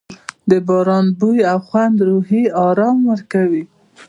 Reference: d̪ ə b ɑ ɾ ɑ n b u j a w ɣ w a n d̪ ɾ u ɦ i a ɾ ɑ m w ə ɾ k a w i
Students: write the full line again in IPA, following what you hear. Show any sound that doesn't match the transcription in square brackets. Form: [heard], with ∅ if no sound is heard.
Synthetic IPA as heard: d̪ ə b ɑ ɾ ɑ n b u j a w [x] w a n d̪ ɾ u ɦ i [ɑ] ɾ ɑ m w ə ɾ k a w i